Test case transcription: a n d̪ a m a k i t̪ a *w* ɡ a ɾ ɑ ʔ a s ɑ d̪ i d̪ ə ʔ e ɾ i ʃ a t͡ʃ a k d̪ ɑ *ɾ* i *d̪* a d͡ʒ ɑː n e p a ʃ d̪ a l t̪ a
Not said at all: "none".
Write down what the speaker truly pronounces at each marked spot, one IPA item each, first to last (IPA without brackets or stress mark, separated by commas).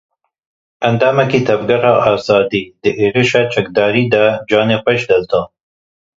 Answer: b, ɾ, d̪